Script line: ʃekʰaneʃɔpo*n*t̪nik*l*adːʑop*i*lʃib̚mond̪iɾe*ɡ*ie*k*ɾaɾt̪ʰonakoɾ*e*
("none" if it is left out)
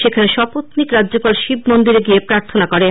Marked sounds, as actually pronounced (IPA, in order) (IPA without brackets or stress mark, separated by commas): none, ɾ, a, ɡ, p, e